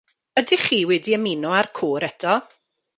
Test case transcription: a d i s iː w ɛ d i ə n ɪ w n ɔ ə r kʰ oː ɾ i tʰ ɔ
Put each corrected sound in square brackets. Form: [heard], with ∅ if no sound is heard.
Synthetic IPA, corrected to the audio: [ə] d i [χ] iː w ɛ d i ə [m] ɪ [∅] n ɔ [a] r kʰ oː ɾ [ɛ] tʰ ɔ